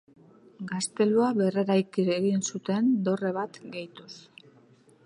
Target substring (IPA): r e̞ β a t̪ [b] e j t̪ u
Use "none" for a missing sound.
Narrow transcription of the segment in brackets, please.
ɡ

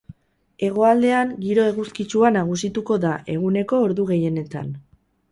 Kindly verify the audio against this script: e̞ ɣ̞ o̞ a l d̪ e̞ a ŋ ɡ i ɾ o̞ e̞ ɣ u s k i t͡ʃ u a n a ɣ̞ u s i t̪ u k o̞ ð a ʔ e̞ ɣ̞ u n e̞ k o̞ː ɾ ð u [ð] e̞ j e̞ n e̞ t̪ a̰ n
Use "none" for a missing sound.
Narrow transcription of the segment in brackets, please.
ɣ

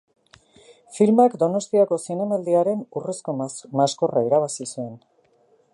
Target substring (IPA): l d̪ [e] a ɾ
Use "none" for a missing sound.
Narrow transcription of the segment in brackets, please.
i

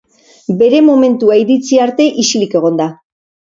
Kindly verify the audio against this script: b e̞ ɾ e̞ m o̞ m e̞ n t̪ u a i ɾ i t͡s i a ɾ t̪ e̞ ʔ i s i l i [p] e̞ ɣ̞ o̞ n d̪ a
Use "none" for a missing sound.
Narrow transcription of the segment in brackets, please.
k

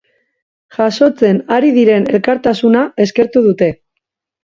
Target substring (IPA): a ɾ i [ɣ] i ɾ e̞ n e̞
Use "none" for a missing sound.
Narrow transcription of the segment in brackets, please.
ð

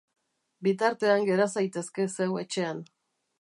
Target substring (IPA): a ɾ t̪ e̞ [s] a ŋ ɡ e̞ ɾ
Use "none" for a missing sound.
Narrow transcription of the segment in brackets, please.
none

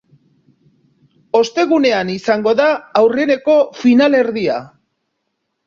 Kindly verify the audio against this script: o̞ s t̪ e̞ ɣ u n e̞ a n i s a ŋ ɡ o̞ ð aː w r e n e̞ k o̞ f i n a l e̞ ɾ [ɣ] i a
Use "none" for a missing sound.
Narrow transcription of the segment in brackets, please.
ð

